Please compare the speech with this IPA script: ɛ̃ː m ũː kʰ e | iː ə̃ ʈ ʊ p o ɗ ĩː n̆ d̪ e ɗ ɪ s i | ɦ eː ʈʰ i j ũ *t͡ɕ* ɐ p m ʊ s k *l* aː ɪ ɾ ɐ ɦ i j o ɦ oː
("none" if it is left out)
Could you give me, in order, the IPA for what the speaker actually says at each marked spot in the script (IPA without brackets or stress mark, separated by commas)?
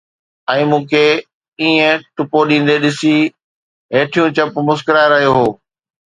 t͡ɕ, ɾ